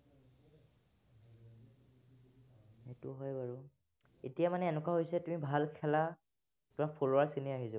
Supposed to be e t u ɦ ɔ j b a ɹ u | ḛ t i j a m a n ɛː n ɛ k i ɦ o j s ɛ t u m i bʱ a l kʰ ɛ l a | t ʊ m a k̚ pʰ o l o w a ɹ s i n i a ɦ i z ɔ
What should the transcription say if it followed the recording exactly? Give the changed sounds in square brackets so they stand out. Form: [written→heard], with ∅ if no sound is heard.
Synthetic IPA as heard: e t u ɦ ɔ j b a ɹ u | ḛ t i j a m a n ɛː n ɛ k [i→a] ɦ o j s ɛ t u m i bʱ a l kʰ ɛ l a | t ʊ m a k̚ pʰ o l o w a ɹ s i n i a ɦ i z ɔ